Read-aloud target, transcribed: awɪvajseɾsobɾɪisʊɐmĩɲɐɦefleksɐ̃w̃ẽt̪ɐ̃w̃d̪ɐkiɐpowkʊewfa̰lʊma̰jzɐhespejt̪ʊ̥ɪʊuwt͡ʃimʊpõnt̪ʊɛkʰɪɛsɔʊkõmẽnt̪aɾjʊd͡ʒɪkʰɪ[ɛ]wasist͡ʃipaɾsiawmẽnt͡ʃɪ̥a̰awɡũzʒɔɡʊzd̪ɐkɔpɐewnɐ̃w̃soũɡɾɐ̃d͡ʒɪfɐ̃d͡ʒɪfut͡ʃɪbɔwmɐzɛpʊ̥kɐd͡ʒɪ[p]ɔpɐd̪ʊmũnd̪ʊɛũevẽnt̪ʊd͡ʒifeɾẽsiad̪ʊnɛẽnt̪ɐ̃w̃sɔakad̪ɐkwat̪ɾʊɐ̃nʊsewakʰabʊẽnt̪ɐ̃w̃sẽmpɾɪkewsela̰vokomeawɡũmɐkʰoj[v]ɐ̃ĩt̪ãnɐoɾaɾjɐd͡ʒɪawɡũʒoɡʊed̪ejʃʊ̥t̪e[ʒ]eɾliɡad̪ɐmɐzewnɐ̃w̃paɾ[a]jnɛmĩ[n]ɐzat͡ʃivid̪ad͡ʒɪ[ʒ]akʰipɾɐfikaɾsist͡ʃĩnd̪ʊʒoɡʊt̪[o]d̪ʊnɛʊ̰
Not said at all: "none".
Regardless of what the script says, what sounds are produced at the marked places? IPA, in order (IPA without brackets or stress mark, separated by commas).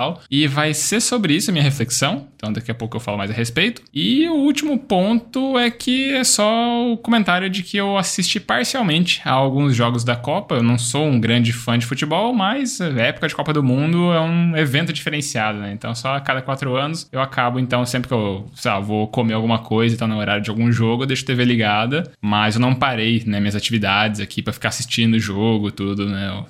e, k, z, v, e, ɲ, z, u